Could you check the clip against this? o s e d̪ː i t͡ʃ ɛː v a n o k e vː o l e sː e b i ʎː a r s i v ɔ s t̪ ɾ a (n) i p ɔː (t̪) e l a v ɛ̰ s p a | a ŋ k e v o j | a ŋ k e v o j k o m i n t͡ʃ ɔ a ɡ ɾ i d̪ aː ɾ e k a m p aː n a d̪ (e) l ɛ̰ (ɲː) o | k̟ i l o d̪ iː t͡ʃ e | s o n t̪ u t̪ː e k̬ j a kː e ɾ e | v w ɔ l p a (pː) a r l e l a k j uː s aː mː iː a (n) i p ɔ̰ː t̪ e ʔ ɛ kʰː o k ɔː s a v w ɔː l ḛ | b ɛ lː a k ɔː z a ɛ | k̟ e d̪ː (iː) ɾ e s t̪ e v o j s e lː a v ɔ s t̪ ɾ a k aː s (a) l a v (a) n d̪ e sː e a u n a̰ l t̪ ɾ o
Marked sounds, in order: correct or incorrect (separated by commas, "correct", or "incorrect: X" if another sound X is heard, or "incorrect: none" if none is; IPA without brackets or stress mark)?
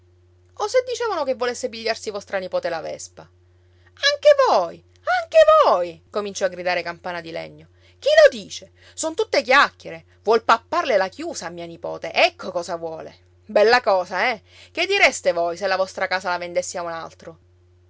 correct, correct, incorrect: i, correct, correct, correct, incorrect: i, correct, incorrect: e